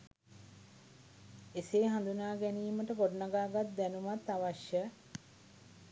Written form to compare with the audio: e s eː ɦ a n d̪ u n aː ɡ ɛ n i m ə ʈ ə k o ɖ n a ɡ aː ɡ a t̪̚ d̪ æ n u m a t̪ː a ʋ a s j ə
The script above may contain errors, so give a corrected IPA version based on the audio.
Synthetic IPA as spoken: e s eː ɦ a n d̪ u n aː ɡ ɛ n iː m ə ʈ ə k o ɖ n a ɡ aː ɡ a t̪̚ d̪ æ n u m a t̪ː a ʋ a ʃ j ə